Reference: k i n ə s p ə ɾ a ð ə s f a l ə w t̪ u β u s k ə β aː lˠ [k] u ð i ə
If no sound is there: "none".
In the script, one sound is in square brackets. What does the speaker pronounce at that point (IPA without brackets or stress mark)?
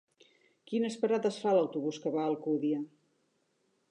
k